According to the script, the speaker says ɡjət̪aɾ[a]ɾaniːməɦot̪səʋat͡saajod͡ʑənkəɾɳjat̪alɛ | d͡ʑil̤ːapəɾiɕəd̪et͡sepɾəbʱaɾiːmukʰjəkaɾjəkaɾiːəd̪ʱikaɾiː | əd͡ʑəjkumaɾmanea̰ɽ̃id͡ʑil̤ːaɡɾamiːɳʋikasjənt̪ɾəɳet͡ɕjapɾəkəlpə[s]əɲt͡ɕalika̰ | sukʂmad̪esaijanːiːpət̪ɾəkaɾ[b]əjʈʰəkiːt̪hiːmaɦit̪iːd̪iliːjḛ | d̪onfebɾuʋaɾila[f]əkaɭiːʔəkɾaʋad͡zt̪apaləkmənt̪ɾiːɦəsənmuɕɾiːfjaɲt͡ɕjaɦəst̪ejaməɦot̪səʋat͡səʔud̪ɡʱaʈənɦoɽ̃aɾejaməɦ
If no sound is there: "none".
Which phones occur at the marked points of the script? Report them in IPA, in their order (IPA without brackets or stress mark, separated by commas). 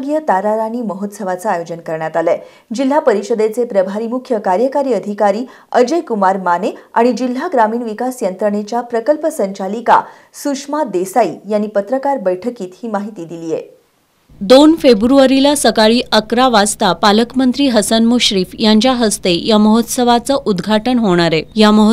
a, s, b, s